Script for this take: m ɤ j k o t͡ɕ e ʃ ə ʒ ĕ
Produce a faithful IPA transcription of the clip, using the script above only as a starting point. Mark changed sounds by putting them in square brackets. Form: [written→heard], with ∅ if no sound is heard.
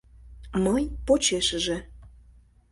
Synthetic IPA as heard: m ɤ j [k→p] o t͡ɕ e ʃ ə ʒ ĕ